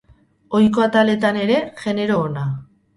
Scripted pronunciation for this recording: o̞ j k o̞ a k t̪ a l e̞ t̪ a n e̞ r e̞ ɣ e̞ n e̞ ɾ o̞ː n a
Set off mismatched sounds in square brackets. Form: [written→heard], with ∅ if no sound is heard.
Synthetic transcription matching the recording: o̞ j k o̞ a [k→∅] t̪ a l e̞ t̪ a n e̞ [r→ɾ] e̞ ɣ e̞ n e̞ ɾ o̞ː n a